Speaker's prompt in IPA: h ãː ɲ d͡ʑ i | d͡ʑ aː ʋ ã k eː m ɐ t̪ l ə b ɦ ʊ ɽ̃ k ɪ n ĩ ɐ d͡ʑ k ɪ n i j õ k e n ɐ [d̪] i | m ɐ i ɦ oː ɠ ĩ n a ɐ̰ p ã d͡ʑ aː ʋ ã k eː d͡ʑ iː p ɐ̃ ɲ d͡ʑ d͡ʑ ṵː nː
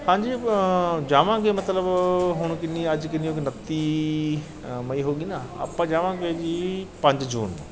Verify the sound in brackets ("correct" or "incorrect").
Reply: incorrect